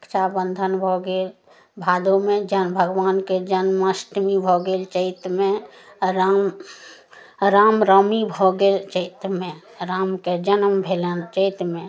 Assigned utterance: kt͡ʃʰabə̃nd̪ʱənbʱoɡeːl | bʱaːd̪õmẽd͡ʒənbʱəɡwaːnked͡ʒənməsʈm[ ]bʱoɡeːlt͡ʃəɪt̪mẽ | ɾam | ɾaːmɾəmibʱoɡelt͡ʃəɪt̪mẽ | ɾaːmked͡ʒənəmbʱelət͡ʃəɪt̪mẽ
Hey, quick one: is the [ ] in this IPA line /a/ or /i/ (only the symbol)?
i